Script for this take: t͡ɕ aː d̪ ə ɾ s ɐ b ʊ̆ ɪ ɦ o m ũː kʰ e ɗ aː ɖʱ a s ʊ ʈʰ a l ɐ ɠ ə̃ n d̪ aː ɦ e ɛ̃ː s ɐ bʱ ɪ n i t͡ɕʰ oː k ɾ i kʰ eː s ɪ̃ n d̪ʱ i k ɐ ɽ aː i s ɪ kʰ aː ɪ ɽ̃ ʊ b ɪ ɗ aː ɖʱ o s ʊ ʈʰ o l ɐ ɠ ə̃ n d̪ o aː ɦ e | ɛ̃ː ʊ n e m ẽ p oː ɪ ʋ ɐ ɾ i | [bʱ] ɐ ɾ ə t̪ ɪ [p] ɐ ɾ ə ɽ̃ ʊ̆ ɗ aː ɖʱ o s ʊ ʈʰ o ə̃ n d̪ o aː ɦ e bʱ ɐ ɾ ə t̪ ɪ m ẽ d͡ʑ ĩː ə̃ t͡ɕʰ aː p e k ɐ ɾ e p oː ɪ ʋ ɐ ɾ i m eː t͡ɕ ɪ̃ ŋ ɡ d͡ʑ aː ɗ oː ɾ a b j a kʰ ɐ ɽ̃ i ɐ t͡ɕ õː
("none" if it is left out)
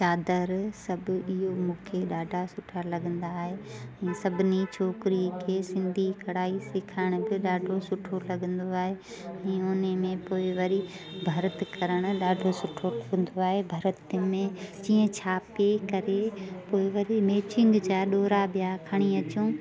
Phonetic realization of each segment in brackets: bʱ, k

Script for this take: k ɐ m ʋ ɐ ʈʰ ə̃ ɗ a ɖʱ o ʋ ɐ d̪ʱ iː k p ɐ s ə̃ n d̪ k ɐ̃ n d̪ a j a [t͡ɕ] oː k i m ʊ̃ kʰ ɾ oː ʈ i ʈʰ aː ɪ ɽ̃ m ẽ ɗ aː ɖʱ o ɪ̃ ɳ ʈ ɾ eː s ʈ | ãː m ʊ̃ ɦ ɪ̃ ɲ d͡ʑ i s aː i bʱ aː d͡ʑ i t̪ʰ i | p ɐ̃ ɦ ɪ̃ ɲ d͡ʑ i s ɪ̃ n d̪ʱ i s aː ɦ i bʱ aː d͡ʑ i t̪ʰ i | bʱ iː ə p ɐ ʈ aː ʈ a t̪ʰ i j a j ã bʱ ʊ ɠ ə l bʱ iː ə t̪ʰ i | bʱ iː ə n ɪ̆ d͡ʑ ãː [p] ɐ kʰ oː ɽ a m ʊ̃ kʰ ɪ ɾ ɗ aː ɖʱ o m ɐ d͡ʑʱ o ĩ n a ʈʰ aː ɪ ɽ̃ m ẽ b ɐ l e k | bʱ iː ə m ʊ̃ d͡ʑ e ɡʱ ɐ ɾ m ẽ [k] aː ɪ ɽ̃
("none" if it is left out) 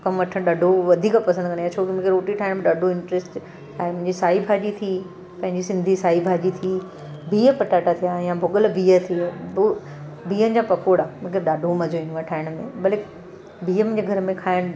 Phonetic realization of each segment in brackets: t͡ɕʰ, p, kʰ

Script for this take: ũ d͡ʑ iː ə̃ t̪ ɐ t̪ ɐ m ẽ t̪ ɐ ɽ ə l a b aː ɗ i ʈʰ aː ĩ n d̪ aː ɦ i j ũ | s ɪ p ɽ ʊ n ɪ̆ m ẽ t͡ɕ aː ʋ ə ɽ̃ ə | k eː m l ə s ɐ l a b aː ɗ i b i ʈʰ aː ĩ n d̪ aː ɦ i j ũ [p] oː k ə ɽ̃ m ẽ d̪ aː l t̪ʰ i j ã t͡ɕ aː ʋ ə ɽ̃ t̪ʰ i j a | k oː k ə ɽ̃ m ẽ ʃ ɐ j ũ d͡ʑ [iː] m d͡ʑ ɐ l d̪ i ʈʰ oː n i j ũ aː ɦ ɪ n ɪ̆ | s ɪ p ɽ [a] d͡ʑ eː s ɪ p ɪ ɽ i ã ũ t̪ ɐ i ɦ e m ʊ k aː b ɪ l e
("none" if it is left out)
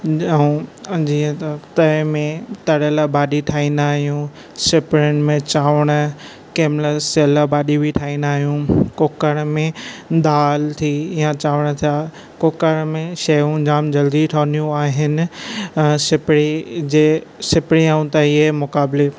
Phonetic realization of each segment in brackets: k, aː, i

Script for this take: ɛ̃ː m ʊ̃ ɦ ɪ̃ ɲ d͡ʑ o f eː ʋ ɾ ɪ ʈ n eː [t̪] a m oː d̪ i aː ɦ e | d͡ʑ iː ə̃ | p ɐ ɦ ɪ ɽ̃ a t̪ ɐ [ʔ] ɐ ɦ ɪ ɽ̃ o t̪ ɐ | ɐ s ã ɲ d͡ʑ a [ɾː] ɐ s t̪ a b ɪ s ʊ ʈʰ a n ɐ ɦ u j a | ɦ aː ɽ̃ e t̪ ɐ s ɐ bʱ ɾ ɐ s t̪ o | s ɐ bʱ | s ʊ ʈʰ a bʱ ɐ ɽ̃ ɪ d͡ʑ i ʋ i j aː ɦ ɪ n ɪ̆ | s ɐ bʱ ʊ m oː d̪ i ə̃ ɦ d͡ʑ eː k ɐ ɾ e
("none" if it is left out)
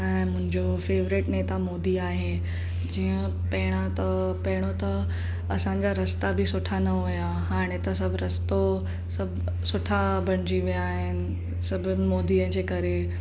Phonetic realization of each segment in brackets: t̪, p, ɾ

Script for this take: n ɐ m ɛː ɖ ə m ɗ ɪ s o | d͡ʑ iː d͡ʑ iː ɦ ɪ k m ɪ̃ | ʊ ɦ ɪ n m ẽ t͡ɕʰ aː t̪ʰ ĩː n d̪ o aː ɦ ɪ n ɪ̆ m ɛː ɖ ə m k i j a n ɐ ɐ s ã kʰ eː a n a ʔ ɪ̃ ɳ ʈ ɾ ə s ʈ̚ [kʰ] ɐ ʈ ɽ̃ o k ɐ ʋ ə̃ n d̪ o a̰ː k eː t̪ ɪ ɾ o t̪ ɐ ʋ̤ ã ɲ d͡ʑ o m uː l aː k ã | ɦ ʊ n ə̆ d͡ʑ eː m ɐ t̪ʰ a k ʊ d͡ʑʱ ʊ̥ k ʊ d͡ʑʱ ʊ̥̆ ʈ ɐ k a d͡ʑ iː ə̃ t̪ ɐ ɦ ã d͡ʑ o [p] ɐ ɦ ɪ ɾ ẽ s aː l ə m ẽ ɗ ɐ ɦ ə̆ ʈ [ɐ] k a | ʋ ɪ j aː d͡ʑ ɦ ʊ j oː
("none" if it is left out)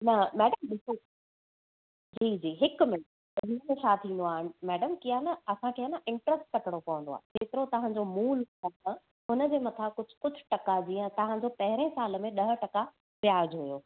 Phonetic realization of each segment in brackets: k, p, ɐ

